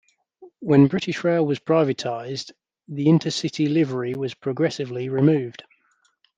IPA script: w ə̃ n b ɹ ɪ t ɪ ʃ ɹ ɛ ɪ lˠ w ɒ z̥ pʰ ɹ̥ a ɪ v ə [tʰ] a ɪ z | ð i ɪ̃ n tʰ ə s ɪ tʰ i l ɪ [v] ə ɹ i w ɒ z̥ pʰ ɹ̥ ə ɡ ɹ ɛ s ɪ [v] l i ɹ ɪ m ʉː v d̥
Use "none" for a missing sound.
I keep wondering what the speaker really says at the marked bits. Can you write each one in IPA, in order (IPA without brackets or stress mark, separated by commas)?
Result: tʰ, v, v